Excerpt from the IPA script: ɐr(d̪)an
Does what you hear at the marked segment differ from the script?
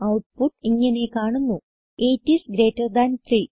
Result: no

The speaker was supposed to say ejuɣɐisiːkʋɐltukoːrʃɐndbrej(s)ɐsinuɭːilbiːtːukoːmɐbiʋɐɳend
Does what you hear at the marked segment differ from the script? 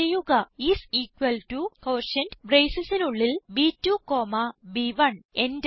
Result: no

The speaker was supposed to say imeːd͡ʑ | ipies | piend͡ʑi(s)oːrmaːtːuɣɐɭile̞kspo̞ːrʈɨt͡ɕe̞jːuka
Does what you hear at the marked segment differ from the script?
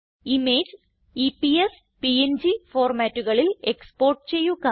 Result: yes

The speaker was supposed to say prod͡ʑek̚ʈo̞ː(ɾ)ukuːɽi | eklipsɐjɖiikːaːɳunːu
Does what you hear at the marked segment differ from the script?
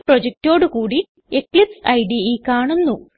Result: yes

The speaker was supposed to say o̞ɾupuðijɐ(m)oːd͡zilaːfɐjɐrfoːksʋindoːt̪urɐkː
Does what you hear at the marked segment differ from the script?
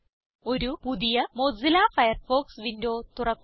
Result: no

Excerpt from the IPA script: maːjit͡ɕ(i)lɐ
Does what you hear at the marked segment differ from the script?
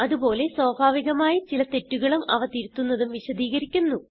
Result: no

